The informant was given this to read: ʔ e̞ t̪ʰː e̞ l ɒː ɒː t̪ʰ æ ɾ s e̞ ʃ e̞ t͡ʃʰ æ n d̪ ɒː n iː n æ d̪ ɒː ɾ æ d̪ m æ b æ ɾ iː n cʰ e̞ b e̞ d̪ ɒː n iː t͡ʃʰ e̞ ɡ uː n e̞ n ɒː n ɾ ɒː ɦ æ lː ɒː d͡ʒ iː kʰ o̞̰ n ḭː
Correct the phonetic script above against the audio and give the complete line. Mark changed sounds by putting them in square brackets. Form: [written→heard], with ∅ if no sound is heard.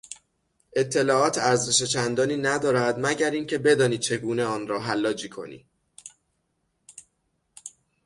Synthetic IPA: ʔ e̞ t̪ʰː e̞ l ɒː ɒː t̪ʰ æ ɾ [s→z] e̞ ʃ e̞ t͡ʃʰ æ n d̪ ɒː n iː n æ d̪ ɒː ɾ æ d̪ m æ [b→ɟ] æ ɾ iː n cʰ e̞ b e̞ d̪ ɒː n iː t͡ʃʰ e̞ ɡ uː n e̞ [n→∅] ɒː n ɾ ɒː ɦ æ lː ɒː d͡ʒ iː kʰ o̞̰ n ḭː